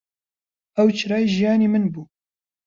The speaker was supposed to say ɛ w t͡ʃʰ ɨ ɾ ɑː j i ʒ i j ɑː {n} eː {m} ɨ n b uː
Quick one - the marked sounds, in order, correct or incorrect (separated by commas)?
correct, correct